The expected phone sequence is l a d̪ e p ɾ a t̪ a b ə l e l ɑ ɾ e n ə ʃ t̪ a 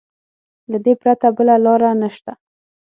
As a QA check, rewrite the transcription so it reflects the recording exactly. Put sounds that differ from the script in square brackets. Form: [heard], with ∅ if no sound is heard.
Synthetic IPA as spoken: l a d̪ e p ɾ a t̪ a b ə l [a] l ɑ ɾ [a] n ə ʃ t̪ a